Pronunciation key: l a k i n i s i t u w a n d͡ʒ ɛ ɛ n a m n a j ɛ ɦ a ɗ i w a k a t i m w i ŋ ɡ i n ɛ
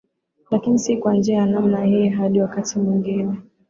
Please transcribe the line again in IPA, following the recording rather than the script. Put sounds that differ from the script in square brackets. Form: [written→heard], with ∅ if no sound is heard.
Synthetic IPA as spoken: l a k i n i s i [t→k] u w a n d͡ʒ ɛ [ɛ→a] n a m n a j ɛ ɦ a ɗ i w a k a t i m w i ŋ ɡ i n ɛ